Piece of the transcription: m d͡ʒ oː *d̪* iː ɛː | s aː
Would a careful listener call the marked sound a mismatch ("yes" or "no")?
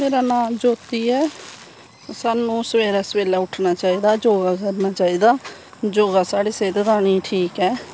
yes